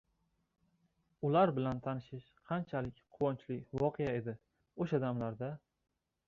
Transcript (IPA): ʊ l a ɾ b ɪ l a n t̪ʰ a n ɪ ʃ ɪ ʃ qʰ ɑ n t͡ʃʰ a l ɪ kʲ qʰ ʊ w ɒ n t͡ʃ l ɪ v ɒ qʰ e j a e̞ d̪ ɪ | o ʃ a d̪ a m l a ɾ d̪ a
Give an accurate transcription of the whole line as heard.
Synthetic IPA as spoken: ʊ l a ɾ b ɪ l a n t̪ʰ a n ɪ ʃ ɪ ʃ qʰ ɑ n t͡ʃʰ a l ɪ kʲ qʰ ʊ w ɒ n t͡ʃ l ɪ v ɒ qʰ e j a e̞ d̪ ɪ | o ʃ a d̪ a m l a ɾ d̪ a